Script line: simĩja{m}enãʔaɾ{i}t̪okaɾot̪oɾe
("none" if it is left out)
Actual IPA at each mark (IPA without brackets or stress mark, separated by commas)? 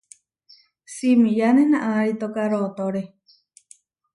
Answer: n, i